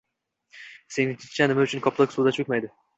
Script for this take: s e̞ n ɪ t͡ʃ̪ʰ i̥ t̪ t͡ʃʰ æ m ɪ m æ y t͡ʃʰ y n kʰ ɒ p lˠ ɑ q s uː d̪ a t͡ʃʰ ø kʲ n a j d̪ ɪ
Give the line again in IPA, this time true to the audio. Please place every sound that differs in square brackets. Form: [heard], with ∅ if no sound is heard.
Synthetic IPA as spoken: s e̞ n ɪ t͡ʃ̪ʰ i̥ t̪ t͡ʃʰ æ [n] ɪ m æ y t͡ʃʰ y n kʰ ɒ p lˠ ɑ [k] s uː d̪ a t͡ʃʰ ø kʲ [m] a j d̪ ɪ